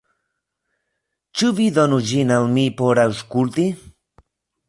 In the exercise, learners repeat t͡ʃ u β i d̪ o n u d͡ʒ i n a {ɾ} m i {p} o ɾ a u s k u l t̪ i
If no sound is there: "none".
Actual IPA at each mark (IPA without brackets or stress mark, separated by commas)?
l, p